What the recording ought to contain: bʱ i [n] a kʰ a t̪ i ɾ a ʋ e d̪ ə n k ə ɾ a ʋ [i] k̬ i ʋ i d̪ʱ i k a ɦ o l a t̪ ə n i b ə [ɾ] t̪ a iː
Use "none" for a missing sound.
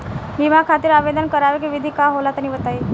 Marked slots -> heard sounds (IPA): m, e, none

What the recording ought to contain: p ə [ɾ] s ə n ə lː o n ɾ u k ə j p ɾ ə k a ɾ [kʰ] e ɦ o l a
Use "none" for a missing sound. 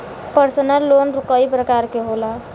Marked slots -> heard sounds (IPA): ɾ, k

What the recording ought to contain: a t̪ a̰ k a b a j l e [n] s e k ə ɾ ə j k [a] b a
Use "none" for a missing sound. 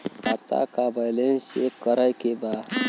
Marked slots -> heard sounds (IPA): n, e

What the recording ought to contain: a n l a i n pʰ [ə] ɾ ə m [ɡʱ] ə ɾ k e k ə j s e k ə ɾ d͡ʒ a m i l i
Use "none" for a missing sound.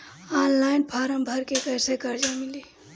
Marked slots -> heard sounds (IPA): a, bʱ

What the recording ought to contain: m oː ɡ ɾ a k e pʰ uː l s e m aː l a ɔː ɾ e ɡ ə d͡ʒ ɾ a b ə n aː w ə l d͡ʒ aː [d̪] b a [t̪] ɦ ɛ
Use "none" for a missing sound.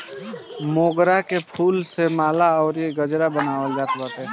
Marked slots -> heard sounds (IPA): t̪, t̪

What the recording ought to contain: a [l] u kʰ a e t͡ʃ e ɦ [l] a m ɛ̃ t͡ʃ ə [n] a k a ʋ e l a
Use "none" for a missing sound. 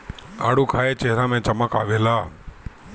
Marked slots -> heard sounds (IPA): ɽ, ɾ, m

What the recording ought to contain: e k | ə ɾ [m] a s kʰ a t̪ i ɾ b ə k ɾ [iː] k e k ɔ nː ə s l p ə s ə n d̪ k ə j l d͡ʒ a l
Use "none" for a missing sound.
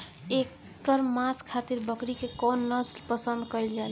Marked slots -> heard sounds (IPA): m, i

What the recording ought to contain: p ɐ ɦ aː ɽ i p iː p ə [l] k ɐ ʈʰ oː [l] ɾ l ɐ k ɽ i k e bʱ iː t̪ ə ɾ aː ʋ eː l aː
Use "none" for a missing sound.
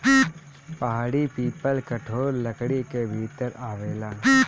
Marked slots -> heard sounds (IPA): l, none

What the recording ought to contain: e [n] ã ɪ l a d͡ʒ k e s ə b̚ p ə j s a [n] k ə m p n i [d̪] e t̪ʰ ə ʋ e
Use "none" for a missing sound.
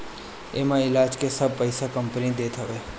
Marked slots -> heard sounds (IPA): m, none, d̪

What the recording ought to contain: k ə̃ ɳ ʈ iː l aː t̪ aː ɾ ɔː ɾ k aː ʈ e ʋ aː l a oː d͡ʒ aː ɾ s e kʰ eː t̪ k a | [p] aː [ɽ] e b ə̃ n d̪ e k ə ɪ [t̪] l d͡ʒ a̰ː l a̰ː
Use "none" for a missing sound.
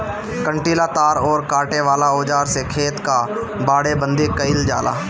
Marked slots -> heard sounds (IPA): b, ɽ, none

